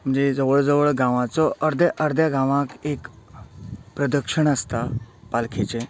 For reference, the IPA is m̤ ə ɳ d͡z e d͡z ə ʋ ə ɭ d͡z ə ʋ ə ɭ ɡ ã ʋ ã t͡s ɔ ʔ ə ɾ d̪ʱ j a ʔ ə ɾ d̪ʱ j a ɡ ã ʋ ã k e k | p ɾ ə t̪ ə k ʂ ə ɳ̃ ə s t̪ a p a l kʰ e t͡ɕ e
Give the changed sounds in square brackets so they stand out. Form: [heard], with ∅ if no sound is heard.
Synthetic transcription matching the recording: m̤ ə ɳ d͡z e d͡z ə ʋ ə ɭ d͡z ə ʋ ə ɭ ɡ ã ʋ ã t͡s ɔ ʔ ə ɾ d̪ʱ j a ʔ ə ɾ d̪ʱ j a ɡ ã ʋ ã k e k | p ɾ ə [d̪] ə k ʂ ə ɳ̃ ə s t̪ a p a l kʰ e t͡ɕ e